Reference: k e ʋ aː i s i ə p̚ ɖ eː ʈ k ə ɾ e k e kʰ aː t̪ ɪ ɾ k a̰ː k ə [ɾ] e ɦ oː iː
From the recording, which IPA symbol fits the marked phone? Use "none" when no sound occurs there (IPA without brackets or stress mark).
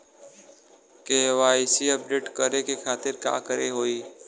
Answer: ɾ